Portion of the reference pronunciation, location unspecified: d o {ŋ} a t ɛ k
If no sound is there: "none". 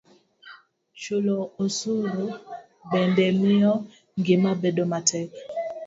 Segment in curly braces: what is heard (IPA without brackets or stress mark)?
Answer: m